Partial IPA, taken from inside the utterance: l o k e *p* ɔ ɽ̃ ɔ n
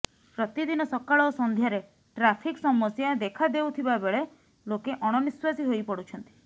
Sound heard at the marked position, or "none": ʔ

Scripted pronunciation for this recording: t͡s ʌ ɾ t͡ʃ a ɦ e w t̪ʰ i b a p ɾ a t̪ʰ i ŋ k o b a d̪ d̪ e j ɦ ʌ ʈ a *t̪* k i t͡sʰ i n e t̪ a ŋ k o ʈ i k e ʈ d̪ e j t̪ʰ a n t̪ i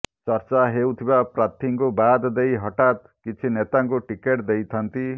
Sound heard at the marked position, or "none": t̪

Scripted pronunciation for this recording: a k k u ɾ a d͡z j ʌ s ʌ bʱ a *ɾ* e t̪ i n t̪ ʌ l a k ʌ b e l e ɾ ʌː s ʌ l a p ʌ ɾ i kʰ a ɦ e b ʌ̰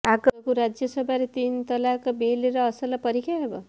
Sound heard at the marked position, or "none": ɾ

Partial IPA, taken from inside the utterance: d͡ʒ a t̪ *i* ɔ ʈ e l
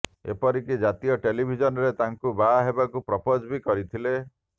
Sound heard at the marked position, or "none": i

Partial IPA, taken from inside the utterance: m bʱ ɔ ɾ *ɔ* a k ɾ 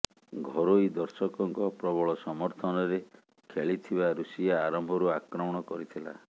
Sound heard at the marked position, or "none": u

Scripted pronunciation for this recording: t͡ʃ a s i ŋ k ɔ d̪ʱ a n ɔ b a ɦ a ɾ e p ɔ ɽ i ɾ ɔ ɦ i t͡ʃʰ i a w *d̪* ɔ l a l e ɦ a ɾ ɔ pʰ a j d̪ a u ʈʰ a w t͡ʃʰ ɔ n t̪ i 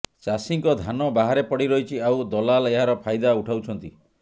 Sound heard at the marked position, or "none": d̪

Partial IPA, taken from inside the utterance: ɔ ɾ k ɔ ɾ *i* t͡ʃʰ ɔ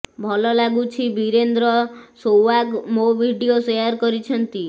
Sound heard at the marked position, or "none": i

